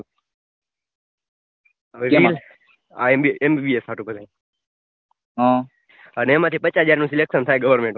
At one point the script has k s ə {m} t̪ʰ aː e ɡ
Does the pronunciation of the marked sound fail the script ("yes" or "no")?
yes